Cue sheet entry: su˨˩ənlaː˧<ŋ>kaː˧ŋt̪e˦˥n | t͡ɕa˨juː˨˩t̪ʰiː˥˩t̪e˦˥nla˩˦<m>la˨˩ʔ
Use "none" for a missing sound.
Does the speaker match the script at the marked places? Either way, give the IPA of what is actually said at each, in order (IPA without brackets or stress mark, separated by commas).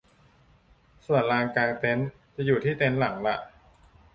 ŋ, ŋ